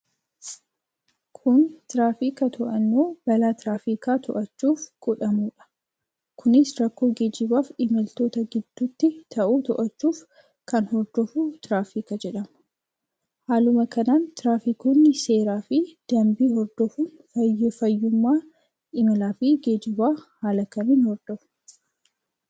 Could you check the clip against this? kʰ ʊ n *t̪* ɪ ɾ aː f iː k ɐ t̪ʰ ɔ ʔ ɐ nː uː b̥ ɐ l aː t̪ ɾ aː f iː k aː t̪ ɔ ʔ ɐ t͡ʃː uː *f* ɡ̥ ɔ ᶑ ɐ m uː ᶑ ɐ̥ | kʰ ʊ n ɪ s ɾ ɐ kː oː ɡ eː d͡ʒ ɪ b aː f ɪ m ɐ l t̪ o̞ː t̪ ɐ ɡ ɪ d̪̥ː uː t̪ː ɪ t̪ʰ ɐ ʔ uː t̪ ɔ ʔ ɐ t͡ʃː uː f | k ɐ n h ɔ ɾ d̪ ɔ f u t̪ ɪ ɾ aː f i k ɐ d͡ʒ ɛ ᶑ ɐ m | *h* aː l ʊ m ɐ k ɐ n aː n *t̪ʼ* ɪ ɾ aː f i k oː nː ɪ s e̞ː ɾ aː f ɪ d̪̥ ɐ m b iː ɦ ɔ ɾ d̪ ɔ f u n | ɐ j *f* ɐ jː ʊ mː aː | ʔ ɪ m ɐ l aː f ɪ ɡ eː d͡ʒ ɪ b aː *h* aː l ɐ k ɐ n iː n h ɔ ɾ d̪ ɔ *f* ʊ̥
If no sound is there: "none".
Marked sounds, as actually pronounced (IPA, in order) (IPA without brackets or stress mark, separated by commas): t̪, f, h, t̪, f, h, f